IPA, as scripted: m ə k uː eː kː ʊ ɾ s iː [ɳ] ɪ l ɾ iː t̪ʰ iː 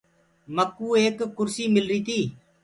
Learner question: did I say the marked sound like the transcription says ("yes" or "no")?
no